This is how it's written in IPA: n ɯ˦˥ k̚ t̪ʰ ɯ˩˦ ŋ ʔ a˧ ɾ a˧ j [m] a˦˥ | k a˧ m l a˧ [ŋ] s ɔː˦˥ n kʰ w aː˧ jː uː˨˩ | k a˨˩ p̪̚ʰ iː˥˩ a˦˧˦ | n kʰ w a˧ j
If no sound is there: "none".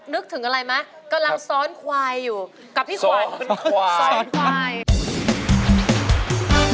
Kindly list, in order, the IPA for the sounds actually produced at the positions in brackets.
m, ŋ

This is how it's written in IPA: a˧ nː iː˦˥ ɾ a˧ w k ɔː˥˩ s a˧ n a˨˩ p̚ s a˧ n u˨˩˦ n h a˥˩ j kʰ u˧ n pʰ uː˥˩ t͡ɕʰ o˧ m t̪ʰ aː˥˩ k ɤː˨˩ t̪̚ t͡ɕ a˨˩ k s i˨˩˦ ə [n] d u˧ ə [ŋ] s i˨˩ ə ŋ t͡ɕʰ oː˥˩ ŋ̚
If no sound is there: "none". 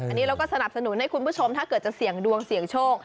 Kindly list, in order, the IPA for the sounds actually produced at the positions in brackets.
ŋ, ŋ

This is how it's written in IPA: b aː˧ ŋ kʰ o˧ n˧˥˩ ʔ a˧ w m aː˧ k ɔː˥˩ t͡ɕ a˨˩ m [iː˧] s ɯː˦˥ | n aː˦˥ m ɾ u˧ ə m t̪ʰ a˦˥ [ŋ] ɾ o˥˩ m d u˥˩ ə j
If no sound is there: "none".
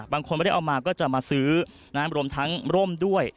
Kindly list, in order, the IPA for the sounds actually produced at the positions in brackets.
aː˧, ŋ

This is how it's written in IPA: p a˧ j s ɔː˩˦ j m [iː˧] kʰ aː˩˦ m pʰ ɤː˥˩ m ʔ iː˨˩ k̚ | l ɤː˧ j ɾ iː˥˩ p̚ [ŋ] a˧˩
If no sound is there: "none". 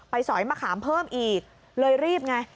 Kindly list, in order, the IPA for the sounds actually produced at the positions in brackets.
aː˧, ŋ

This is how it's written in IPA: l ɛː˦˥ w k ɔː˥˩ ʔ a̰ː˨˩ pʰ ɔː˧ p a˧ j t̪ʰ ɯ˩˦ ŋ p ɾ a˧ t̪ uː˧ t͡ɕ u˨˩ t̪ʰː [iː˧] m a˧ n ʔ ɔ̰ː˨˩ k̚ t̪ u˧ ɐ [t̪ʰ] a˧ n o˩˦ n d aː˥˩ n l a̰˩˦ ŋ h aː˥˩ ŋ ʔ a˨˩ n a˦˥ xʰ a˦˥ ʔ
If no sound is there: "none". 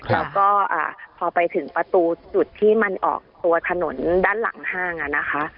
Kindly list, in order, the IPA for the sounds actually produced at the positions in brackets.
iː˥˩, t̪ʰ

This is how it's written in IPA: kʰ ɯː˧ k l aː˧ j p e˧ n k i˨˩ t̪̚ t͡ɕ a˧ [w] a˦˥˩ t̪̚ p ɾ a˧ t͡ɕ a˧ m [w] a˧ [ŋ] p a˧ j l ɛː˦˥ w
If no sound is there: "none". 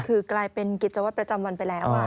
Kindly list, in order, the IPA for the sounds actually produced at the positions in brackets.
w, w, n

